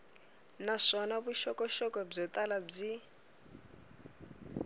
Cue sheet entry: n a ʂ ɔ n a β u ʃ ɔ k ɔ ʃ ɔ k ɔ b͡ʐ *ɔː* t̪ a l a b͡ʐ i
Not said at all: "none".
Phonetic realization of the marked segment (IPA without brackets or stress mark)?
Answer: ɔ